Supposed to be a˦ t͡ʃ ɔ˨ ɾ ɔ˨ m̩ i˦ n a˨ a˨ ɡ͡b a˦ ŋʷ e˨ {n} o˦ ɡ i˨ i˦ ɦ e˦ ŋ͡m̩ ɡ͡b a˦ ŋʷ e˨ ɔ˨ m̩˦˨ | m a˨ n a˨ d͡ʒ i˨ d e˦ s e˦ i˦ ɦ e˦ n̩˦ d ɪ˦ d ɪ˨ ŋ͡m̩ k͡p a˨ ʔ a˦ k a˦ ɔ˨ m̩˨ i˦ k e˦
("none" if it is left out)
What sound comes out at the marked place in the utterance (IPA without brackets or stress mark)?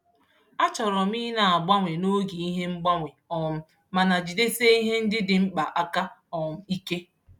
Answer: n